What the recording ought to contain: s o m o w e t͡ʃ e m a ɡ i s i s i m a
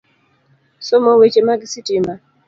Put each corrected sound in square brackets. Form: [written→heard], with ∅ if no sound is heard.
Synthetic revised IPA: s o m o w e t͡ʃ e m a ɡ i s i [s→t] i m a